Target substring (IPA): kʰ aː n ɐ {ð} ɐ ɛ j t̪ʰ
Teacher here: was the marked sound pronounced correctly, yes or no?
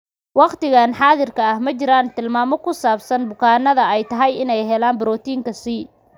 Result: yes